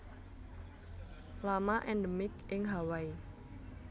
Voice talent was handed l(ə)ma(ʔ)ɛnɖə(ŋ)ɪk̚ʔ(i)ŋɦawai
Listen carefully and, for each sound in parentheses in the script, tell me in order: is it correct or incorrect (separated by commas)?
incorrect, correct, incorrect, incorrect